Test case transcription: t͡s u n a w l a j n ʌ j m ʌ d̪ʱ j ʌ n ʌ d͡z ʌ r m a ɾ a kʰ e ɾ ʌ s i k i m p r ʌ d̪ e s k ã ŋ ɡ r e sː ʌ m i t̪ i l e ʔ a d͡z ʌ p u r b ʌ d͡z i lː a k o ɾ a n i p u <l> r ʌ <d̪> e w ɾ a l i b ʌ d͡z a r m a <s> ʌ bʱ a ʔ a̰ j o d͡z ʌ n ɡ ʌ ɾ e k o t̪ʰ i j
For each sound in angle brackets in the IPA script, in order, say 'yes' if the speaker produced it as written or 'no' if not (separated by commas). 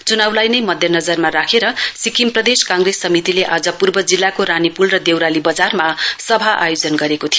yes, yes, yes